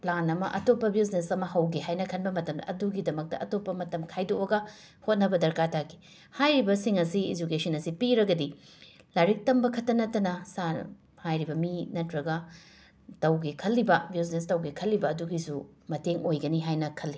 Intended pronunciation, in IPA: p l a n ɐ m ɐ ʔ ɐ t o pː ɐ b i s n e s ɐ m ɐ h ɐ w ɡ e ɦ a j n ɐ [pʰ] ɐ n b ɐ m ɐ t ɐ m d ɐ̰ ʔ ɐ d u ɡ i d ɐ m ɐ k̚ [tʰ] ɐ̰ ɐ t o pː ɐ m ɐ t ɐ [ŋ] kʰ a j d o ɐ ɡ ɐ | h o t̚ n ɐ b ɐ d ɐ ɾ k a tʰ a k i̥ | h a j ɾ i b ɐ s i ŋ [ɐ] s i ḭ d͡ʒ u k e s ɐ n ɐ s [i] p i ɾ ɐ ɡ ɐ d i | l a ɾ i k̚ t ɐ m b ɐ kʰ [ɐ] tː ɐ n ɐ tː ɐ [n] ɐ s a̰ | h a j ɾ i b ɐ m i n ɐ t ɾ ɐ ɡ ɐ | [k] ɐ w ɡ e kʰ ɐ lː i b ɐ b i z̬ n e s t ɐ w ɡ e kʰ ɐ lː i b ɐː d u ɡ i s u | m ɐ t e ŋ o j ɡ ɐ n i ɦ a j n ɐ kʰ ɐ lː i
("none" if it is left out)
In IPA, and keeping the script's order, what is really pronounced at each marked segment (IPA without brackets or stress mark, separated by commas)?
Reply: kʰ, t, m, ɐ, i, ɐ, n, t